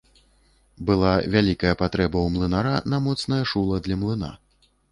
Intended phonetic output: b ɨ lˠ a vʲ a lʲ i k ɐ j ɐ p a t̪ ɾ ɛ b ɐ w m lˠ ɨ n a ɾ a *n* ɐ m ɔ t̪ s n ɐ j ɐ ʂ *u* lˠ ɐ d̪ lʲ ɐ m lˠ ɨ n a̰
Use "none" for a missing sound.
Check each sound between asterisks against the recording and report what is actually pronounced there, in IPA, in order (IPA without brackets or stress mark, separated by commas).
n, u